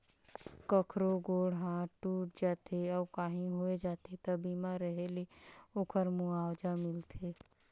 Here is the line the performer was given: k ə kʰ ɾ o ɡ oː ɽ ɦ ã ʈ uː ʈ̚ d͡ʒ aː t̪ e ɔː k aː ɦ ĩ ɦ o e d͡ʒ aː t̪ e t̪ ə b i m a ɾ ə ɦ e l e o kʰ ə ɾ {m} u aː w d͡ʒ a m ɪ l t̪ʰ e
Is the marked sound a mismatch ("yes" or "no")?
no